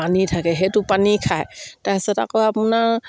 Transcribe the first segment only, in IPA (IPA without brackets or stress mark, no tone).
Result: a